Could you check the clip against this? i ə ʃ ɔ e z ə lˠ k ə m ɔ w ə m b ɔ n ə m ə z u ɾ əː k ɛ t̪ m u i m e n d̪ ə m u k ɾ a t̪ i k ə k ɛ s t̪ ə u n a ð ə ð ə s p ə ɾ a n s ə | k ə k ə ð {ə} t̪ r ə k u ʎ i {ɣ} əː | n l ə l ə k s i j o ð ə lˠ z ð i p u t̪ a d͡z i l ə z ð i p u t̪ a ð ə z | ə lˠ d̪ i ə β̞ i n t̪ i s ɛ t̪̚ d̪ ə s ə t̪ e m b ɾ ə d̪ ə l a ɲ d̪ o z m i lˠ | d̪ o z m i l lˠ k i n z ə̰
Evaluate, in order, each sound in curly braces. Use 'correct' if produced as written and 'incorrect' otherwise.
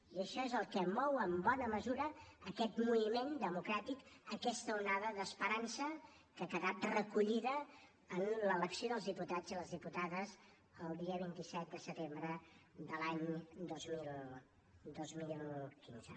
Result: incorrect, incorrect

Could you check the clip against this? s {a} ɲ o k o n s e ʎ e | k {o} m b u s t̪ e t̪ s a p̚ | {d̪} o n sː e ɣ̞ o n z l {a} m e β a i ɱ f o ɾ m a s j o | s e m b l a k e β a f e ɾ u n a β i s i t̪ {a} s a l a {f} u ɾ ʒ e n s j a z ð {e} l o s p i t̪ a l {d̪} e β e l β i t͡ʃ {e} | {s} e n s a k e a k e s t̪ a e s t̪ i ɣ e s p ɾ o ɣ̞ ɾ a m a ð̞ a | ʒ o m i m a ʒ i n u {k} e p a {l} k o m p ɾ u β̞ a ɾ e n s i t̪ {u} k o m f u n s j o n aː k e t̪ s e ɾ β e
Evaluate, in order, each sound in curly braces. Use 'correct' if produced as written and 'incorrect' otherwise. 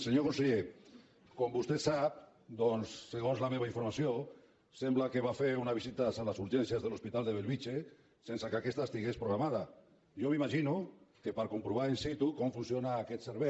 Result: incorrect, correct, correct, correct, correct, incorrect, correct, correct, correct, correct, correct, incorrect, correct

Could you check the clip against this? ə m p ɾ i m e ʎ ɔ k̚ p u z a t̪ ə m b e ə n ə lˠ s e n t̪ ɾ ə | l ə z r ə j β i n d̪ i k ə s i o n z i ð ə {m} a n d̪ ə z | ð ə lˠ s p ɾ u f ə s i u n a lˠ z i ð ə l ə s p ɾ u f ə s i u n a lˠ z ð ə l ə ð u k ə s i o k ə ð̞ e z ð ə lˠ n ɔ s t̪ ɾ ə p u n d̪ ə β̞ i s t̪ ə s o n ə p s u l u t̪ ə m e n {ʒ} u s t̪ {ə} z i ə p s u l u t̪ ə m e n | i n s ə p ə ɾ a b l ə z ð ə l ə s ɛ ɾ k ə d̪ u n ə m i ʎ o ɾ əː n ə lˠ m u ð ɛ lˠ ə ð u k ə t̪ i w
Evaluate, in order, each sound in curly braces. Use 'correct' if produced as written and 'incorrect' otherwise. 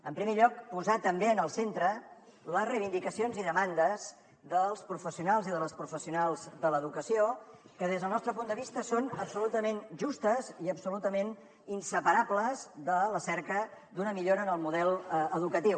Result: correct, correct, correct

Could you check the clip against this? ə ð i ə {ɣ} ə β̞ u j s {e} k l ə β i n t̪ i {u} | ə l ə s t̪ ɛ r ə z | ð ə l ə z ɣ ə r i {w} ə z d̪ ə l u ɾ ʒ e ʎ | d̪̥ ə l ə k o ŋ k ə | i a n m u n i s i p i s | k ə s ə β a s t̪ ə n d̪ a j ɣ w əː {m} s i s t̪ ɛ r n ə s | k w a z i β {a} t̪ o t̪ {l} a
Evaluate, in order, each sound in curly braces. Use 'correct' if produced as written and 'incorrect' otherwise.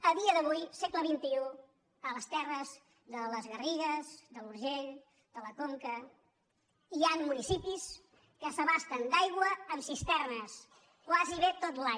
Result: incorrect, correct, correct, incorrect, correct, incorrect, correct

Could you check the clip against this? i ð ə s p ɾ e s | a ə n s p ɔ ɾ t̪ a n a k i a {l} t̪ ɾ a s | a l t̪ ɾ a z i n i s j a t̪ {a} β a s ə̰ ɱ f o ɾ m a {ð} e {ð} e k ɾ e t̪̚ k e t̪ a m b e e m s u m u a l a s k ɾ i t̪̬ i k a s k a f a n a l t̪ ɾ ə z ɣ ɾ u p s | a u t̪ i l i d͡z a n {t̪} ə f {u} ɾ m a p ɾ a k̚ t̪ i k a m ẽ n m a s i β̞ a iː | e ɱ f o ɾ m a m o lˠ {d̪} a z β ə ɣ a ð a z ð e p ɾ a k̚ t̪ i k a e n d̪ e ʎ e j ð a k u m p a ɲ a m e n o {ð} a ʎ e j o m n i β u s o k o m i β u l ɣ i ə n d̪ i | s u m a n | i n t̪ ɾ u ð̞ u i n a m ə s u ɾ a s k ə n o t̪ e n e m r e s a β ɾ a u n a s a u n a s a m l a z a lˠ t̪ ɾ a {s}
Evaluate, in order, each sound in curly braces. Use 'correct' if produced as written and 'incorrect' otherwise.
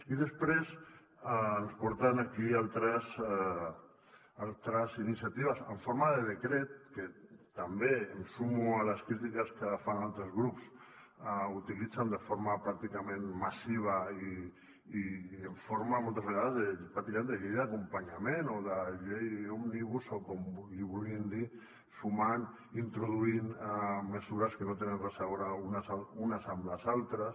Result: correct, incorrect, correct, correct, incorrect, incorrect, incorrect, correct, correct

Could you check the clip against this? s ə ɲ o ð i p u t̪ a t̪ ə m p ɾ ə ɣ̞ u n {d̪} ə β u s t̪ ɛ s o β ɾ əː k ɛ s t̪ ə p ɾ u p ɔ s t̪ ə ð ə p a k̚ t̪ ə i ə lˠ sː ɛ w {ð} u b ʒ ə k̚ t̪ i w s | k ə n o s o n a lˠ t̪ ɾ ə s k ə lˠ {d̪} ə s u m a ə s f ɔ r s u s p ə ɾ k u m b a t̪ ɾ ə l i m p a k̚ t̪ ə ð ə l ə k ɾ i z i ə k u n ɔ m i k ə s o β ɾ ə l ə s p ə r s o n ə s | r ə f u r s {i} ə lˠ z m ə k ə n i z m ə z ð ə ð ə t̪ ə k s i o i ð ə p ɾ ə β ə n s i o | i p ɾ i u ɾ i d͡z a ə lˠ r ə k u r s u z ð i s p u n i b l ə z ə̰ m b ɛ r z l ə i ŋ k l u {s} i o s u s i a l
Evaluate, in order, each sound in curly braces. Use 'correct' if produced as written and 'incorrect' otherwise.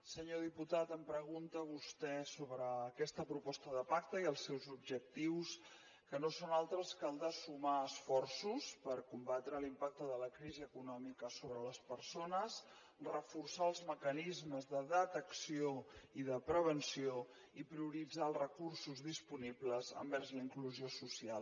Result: incorrect, incorrect, correct, incorrect, incorrect

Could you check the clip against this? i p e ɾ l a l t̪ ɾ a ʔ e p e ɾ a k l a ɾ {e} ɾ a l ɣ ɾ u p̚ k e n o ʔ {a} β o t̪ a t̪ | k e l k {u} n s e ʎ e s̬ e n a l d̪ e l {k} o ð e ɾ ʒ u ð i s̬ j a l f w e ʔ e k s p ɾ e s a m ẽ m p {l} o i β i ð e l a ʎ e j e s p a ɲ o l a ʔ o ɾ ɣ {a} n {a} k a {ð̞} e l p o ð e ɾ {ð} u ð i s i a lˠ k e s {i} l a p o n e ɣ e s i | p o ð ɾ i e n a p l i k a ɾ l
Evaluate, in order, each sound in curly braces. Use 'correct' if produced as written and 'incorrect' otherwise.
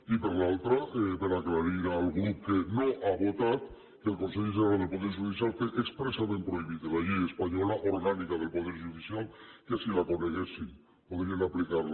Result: incorrect, correct, incorrect, incorrect, incorrect, correct, incorrect, correct, incorrect, correct

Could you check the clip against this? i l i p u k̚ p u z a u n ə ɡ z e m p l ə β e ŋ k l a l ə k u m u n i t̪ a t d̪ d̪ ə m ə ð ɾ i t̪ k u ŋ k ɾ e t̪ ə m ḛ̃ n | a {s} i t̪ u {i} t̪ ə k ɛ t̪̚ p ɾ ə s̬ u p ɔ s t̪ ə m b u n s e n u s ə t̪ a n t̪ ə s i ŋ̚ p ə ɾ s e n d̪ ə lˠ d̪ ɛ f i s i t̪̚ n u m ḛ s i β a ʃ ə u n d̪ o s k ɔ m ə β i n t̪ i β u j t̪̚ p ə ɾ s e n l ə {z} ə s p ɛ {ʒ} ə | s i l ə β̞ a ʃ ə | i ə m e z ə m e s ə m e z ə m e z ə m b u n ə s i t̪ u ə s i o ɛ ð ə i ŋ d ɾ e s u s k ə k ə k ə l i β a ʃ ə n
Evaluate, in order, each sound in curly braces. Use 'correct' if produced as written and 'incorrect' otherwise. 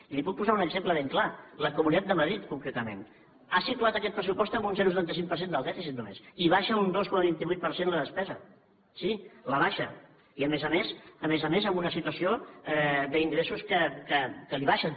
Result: correct, incorrect, incorrect, incorrect

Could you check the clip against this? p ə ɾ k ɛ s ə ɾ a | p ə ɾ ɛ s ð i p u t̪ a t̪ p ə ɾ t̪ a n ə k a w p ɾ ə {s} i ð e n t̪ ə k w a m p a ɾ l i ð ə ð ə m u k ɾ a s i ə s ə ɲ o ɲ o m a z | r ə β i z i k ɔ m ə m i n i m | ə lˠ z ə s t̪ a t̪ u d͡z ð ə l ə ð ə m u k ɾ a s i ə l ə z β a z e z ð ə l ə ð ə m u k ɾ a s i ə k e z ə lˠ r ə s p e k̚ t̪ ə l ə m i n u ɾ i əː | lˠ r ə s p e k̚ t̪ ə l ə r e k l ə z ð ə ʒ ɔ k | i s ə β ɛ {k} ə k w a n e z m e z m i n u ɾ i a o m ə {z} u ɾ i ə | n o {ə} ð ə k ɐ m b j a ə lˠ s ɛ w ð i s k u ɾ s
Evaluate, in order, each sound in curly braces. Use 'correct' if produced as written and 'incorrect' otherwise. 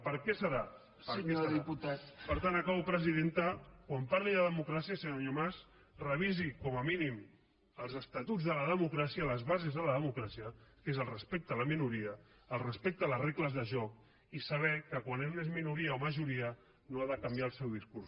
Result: incorrect, correct, incorrect, incorrect

